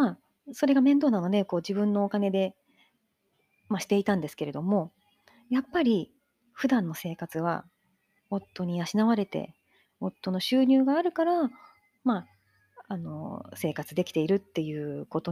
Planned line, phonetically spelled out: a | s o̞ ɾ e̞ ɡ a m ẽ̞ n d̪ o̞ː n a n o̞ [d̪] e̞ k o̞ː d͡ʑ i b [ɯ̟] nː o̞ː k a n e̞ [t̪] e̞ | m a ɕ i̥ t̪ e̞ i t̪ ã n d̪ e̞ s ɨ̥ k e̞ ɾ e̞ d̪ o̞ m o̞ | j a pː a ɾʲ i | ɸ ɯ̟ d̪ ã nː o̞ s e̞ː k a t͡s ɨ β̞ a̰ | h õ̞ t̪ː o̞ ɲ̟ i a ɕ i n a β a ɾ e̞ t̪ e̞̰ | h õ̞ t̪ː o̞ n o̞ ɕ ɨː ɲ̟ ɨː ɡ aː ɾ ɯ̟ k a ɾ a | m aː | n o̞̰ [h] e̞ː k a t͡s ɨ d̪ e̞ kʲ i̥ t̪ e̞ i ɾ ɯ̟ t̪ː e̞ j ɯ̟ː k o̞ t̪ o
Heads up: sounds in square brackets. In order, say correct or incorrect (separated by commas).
correct, incorrect, incorrect, incorrect